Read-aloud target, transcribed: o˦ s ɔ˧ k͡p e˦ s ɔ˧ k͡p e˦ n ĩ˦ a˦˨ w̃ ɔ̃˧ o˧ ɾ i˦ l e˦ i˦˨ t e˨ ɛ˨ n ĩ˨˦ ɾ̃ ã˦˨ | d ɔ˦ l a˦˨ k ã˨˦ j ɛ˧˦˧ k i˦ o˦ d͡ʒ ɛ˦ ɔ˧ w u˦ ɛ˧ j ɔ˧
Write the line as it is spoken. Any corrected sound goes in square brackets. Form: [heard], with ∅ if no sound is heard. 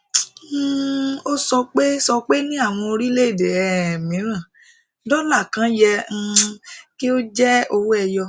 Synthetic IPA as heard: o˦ s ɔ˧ k͡p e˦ s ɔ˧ k͡p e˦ n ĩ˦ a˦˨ w̃ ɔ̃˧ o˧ ɾ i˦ l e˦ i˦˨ [d] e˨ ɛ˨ [m] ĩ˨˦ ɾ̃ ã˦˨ | d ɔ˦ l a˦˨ k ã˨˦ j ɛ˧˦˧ k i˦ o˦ d͡ʒ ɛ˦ [o˧] w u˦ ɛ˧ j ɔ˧